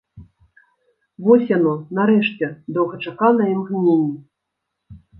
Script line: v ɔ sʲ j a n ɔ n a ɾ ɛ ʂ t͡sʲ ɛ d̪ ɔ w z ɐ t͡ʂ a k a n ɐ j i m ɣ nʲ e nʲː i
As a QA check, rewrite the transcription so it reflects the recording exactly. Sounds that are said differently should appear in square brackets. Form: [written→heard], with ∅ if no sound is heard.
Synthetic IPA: v ɔ sʲ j a n ɔ n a ɾ ɛ ʂ t͡sʲ ɛ d̪ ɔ w [z→ɣ] ɐ t͡ʂ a k a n ɐ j i m ɣ nʲ e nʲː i